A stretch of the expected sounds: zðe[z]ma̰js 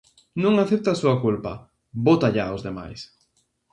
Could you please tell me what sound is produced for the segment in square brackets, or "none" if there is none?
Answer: none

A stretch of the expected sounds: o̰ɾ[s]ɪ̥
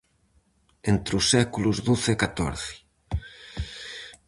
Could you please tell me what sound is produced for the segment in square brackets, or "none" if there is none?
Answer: θ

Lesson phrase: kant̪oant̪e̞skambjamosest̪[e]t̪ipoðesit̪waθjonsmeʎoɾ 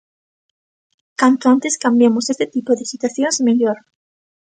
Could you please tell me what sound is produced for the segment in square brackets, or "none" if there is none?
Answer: e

